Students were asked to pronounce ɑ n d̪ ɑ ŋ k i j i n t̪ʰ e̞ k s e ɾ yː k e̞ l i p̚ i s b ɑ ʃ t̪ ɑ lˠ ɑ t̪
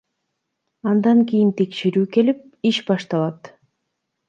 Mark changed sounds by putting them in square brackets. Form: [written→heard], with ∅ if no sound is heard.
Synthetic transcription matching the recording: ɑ n d̪ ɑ ŋ k i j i n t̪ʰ e̞ k [s→ʃ] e ɾ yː k e̞ l i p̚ i [s→ʃ] b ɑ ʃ t̪ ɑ lˠ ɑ t̪